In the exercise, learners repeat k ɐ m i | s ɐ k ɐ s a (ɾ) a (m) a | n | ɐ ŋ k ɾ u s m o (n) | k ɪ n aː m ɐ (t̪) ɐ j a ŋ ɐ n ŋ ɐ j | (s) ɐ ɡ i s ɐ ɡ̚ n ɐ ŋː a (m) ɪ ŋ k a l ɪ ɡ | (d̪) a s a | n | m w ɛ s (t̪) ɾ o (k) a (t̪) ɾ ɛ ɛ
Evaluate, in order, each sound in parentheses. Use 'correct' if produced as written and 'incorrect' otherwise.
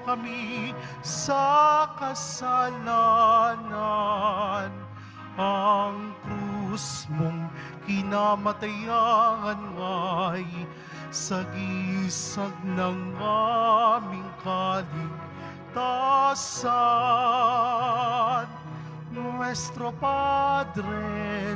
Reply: incorrect, incorrect, incorrect, correct, correct, correct, incorrect, correct, incorrect, incorrect

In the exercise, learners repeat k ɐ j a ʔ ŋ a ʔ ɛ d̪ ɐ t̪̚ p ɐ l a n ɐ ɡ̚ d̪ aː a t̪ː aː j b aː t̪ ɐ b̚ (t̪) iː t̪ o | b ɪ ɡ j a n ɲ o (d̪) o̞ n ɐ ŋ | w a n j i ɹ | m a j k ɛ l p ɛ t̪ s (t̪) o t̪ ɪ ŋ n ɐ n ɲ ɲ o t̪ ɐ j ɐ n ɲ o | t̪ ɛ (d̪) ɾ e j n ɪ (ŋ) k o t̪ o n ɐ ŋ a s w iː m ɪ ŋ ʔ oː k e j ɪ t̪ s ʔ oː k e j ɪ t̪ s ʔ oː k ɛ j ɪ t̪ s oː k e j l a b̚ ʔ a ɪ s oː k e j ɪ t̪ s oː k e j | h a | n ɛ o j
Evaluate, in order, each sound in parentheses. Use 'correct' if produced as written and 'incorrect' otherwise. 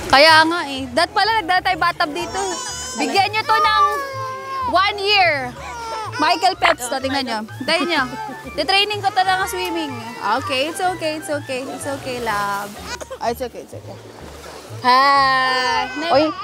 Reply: incorrect, incorrect, correct, incorrect, correct

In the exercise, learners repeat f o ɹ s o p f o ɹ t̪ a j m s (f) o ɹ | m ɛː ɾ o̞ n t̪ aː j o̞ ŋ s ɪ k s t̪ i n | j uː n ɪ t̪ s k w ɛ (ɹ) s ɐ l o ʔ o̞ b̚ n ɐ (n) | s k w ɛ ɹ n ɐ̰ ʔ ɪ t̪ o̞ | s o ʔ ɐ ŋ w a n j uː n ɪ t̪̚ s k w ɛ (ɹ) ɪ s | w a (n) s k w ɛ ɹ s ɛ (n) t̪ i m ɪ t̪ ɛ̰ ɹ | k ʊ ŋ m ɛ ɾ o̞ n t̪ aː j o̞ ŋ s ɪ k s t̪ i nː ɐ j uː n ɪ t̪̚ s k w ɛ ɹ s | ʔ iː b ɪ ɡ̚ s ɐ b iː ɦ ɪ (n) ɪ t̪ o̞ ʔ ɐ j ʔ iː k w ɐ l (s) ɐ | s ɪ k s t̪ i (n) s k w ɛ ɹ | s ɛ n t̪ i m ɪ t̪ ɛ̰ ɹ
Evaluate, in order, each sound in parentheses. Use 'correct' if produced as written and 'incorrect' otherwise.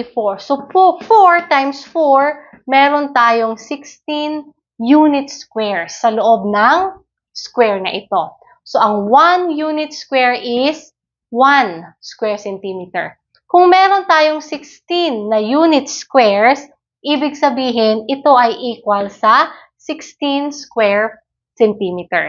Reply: correct, correct, incorrect, correct, correct, correct, correct, correct, correct

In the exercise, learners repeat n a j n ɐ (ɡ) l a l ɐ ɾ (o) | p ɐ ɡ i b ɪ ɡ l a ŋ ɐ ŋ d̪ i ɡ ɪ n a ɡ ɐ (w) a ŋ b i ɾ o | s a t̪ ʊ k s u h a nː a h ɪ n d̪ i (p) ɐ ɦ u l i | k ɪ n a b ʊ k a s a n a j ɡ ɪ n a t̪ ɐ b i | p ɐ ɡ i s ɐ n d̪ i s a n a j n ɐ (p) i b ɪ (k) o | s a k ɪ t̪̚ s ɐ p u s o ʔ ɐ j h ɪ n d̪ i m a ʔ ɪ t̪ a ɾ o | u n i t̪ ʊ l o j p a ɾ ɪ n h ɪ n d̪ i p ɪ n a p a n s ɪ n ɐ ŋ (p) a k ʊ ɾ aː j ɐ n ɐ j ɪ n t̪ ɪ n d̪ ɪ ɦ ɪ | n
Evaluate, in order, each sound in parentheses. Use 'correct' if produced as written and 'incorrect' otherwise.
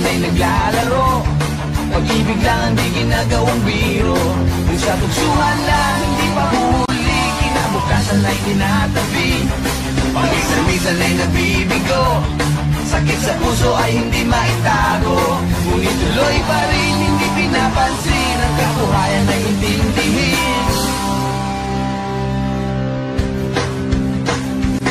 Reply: correct, correct, correct, correct, incorrect, incorrect, incorrect

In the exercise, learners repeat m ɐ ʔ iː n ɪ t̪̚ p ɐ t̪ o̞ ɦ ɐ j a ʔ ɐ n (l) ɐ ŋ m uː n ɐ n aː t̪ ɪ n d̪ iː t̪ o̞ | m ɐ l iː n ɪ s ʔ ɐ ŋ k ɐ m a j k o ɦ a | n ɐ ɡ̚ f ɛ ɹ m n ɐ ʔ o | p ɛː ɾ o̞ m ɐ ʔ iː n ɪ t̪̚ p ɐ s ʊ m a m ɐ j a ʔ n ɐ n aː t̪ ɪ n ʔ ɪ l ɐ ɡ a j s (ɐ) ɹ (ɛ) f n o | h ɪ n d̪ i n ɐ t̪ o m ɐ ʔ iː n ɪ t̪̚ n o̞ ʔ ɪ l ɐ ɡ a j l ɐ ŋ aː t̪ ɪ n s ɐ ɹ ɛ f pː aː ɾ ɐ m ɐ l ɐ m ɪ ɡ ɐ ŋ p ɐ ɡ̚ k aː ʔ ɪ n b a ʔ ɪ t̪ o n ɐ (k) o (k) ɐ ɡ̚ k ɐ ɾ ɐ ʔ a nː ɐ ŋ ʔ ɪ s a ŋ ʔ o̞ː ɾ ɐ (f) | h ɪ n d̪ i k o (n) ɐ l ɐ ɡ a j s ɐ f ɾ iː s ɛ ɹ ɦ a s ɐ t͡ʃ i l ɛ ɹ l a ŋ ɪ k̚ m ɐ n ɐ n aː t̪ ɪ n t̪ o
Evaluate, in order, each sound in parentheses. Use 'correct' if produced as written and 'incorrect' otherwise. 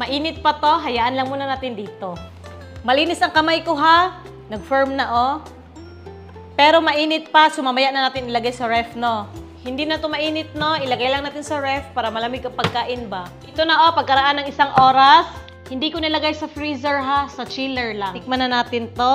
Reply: correct, correct, correct, incorrect, incorrect, incorrect, correct

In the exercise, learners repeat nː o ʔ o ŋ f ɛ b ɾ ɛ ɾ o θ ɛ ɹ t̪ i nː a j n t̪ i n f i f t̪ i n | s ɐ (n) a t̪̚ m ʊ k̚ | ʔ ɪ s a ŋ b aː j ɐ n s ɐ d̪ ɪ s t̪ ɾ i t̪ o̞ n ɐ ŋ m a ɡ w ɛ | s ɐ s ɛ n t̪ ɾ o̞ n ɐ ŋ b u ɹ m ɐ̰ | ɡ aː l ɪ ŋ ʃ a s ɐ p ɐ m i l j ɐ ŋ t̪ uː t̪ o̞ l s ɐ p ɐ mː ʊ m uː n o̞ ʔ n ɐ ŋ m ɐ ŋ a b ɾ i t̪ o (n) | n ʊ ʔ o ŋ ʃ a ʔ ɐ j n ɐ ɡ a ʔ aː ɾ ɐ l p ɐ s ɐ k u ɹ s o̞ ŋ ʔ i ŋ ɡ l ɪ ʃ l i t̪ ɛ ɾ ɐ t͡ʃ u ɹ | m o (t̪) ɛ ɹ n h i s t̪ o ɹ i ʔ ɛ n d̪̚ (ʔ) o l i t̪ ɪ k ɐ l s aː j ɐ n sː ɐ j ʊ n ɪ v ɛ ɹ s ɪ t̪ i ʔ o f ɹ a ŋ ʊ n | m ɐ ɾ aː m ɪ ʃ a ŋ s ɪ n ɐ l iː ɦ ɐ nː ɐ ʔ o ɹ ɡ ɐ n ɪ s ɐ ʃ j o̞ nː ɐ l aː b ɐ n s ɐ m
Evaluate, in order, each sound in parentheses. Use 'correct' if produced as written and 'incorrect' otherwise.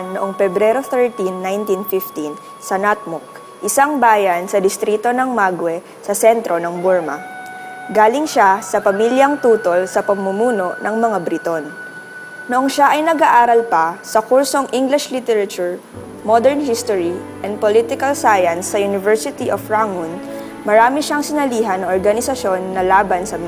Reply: correct, correct, incorrect, incorrect

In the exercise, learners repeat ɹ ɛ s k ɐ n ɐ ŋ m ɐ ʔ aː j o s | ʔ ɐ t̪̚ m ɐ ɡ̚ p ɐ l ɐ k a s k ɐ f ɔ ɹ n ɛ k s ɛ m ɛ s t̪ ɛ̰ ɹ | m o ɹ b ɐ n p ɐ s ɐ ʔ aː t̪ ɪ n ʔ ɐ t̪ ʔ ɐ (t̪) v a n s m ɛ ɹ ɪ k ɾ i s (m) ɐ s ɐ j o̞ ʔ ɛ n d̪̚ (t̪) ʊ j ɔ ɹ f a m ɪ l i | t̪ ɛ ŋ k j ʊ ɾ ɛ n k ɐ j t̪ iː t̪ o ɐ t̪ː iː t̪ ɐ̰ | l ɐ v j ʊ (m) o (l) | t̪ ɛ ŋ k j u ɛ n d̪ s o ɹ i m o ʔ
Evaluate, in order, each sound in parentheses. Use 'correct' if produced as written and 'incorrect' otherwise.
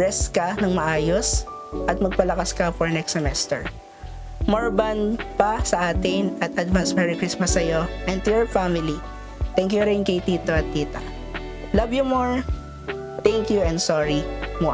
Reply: incorrect, correct, correct, correct, incorrect

